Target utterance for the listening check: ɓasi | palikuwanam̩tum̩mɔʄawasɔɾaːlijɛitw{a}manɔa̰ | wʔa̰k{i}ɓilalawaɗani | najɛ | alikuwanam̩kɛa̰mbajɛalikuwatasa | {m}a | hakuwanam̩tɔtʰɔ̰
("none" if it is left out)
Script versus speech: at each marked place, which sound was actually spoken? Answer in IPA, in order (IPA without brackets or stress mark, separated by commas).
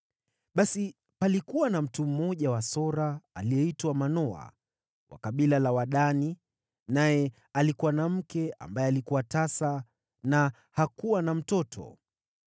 a, a, n